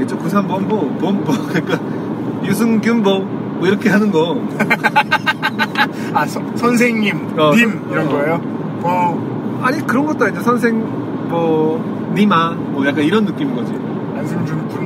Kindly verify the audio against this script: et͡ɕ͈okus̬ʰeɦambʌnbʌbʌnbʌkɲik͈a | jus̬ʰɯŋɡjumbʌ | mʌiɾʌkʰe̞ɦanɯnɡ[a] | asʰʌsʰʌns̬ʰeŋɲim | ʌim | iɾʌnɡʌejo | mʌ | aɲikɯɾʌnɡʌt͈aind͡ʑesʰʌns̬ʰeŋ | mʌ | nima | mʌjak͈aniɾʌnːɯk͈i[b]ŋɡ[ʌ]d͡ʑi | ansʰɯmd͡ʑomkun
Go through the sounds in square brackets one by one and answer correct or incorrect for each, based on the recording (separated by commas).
incorrect, incorrect, correct